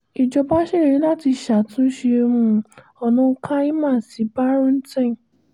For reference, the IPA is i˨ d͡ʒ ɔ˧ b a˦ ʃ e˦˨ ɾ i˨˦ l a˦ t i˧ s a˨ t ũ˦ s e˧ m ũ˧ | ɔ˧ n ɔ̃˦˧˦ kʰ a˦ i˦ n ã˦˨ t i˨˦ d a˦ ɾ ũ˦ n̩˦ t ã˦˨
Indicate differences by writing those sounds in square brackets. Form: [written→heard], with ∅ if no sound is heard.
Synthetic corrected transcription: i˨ d͡ʒ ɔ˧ b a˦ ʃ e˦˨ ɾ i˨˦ l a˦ t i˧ [s→ʃ] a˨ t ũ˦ [s→ʃ] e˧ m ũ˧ | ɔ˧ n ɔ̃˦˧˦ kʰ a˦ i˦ [n→m] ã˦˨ [t→s] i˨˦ [d→b] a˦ ɾ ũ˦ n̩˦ t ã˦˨